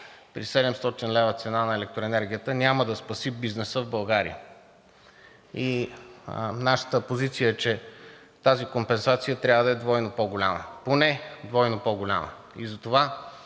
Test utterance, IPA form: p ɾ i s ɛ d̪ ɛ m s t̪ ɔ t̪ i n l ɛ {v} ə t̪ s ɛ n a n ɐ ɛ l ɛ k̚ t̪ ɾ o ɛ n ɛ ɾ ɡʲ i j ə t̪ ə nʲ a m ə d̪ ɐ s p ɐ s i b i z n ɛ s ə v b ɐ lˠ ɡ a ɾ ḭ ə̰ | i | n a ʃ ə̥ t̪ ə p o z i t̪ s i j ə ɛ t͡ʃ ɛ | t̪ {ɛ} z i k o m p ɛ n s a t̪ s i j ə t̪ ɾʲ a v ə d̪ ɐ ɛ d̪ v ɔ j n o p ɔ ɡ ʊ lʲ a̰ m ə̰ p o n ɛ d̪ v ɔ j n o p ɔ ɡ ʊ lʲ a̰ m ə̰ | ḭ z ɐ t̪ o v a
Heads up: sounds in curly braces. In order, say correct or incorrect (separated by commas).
correct, incorrect